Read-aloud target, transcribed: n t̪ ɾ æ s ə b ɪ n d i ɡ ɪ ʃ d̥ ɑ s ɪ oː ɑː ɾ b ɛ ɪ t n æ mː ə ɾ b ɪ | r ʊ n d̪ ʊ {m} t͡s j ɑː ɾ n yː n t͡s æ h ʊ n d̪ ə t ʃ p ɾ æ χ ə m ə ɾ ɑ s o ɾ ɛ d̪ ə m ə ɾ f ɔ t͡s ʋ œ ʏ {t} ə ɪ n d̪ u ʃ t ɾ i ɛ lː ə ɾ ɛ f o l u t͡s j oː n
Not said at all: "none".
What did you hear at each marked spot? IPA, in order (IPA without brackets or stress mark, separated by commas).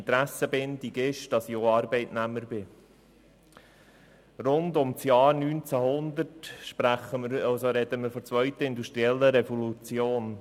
m, t